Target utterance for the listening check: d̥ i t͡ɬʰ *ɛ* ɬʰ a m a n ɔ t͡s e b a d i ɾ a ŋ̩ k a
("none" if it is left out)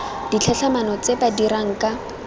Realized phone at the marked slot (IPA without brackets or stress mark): ɛ